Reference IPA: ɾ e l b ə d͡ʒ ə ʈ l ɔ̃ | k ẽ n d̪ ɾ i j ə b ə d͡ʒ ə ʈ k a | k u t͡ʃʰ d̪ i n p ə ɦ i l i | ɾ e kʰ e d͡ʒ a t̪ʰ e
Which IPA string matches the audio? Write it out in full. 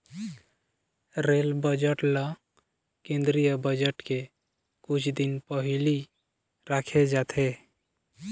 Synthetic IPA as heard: ɾ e l b ə d͡ʒ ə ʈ l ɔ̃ | k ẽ n d̪ ɾ i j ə b ə d͡ʒ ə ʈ k e | k u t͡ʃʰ d̪ i n p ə ɦ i l i | ɾ a kʰ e d͡ʒ a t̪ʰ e